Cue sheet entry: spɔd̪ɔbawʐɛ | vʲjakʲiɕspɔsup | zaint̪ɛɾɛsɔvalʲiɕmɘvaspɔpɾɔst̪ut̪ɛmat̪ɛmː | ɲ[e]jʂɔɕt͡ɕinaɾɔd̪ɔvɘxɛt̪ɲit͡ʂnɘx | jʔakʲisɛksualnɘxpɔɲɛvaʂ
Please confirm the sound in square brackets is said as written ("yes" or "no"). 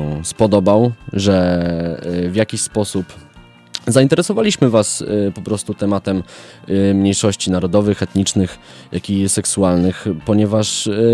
yes